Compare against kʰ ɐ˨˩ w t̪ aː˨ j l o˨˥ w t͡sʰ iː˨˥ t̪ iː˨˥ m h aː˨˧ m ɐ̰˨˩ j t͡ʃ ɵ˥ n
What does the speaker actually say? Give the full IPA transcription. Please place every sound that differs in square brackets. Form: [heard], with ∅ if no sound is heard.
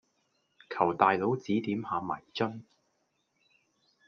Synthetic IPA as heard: kʰ ɐ˨˩ w t̪ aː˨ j l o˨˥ w [t͡s] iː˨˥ t̪ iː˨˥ m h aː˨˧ m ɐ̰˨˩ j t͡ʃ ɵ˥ n